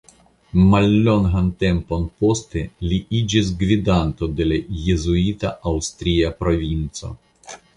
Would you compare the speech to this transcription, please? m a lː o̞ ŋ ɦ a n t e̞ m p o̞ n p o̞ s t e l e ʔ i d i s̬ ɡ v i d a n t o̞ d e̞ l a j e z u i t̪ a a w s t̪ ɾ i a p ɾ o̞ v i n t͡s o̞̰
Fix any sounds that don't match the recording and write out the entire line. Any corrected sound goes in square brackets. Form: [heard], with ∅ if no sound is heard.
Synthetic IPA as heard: m a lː o̞ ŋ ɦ a n t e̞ m p o̞ n p o̞ s t e l [i] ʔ i [d͡ʒ] i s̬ ɡ v i d a n t o̞ d e̞ l a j e z u i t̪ a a w s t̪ ɾ i a p ɾ o̞ v i n t͡s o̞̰